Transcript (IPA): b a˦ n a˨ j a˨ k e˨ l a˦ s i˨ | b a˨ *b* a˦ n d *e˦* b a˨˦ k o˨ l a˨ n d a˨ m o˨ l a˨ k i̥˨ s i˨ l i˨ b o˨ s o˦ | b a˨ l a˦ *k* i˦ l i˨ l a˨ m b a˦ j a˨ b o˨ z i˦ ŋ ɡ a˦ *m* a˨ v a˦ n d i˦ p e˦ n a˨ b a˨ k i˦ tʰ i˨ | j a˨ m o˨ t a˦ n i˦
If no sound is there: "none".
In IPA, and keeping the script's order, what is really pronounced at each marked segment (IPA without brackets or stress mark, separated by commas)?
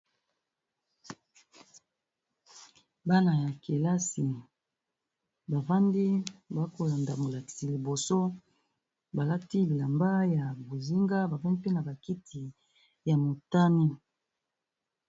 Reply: v, i˦, t, b